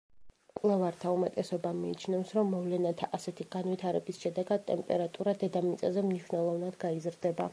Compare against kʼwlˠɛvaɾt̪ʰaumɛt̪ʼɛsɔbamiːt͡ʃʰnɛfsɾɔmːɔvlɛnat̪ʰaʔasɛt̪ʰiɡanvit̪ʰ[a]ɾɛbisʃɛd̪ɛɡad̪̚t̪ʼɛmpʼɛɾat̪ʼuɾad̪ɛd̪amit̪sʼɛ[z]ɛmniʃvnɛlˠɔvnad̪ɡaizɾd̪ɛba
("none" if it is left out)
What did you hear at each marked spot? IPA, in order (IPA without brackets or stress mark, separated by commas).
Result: a, z